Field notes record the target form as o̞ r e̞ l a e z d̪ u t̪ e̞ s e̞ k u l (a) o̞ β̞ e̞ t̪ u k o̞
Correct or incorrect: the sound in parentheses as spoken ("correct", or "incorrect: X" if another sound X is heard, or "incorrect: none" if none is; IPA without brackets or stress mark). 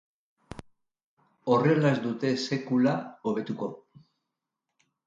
correct